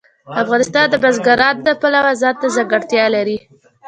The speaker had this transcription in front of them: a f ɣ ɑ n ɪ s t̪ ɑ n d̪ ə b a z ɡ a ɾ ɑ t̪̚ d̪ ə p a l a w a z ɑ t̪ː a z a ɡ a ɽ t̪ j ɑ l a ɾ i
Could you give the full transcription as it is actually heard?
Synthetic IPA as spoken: a f ɣ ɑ n ɪ s t̪ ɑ n d̪ ə b a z ɡ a ɾ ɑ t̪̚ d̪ ə p a l a w a z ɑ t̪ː a z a ɡ a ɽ t̪ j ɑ l a ɾ i

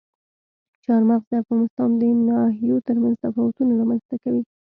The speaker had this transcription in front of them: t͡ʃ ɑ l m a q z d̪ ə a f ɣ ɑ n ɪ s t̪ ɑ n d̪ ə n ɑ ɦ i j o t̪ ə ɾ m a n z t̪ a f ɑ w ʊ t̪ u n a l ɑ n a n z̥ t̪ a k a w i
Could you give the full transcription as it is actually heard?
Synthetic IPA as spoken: t͡ʃ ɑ ɾ m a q z d̪ ə a f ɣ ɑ n ɪ s t̪ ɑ n d̪ ə n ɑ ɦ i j o t̪ ə ɾ m a n z t̪ a f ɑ w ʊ t̪ u n a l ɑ m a n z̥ t̪ a k a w i

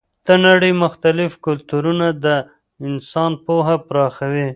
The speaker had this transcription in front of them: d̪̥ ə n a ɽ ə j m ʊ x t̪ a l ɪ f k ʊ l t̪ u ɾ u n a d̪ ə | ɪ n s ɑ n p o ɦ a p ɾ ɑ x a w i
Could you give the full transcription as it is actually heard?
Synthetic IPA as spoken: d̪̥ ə n a ɽ ə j m ʊ x t̪ a l ɪ f k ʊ l t̪ u ɾ u n a d̪ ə | ɪ n s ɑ n p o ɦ a p ɾ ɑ x a w i

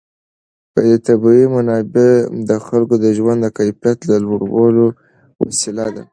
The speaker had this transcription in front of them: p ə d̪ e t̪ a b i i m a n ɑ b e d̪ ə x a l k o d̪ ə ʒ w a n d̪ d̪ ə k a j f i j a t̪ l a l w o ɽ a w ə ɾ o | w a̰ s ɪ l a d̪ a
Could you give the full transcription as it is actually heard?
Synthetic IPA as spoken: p ə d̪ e t̪ a b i i m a n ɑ b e d̪ ə x a l k o d̪ ə ʒ w a n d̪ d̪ ə k a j f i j a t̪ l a l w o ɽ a w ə l o | w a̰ s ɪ l a d̪ a

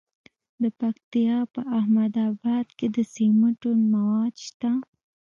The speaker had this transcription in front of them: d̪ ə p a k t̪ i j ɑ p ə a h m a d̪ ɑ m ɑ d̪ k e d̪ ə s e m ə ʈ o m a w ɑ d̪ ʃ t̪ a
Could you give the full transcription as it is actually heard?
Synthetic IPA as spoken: d̪ ə p a k t̪ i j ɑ p ə a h m a d̪ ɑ b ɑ d̪ k e d̪ ə s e m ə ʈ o m a w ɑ d̪ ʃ t̪ a

